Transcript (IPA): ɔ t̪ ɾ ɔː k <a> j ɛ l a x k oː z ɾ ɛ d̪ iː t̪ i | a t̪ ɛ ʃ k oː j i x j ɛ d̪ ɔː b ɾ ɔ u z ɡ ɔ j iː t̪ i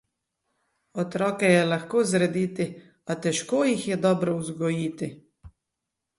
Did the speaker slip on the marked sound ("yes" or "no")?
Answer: yes